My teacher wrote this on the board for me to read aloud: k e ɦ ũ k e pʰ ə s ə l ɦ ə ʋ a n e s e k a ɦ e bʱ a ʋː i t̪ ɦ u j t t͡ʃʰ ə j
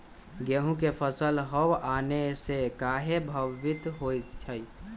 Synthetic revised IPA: ɡ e ɦ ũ k e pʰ ə s ə l ɦ ə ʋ a n e s e k a ɦ e bʱ ə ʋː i t̪ ɦ o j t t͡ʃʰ ə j